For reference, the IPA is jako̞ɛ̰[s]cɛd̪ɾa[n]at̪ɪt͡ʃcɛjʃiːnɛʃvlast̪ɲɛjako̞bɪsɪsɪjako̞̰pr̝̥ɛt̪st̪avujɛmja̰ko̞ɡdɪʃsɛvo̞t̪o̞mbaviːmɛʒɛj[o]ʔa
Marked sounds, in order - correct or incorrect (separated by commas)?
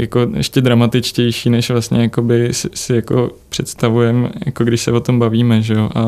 incorrect, incorrect, correct